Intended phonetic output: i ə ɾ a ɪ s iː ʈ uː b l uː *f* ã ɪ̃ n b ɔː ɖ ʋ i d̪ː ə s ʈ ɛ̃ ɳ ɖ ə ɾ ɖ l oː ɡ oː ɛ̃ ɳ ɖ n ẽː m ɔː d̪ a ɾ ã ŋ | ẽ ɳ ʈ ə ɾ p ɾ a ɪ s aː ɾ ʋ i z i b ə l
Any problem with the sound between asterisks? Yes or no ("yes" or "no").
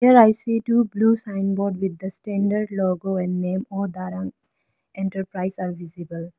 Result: yes